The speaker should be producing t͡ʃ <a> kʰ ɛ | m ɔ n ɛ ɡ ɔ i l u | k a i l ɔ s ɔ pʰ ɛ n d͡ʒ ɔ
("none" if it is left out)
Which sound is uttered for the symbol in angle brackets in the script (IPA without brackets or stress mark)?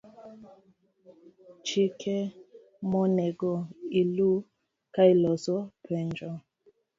i